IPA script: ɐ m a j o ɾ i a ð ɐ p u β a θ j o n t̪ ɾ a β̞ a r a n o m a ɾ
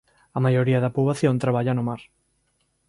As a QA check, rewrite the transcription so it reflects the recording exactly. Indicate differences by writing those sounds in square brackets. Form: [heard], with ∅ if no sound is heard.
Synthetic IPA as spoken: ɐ m a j o ɾ i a ð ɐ p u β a θ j o n t̪ ɾ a β̞ a [ʎ] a n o m a ɾ